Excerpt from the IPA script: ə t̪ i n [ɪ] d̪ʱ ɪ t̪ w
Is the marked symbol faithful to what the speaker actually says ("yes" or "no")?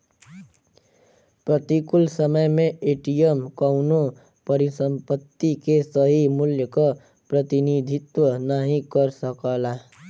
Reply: no